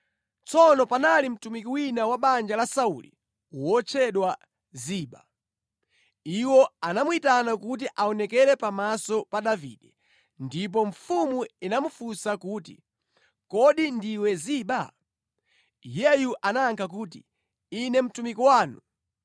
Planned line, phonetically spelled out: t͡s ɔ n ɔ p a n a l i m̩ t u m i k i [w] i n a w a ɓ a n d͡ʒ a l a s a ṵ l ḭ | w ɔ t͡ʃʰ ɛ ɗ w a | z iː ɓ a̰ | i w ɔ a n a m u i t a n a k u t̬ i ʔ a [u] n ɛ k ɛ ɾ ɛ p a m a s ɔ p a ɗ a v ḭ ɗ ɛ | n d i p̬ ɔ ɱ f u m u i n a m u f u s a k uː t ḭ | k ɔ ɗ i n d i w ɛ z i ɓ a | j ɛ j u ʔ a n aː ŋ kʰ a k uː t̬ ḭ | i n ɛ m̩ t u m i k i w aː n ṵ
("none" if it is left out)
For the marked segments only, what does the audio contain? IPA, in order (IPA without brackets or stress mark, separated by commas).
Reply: w, ɔ